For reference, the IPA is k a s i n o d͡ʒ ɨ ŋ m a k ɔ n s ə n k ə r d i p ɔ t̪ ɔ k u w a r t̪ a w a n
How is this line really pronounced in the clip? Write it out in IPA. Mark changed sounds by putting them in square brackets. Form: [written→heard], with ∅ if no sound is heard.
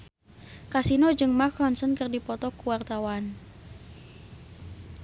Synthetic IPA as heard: k a s i n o d͡ʒ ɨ ŋ m a k ɔ n s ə n k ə r d i p ɔ t̪ ɔ k u w a r t̪ a w a n